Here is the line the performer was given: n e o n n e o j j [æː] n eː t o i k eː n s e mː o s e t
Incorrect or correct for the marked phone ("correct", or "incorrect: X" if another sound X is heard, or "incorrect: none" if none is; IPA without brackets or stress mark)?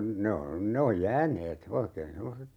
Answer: correct